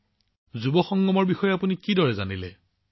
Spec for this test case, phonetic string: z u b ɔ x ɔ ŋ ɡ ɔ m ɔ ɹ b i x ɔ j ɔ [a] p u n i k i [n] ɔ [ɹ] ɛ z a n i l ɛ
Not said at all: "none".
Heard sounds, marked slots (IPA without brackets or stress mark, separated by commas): a, d, ɹ